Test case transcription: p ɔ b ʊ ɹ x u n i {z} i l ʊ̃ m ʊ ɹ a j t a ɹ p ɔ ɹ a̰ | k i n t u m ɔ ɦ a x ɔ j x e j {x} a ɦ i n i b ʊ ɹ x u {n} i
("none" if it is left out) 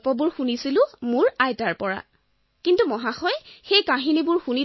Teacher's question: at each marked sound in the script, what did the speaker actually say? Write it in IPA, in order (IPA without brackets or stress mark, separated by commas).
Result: s, k, n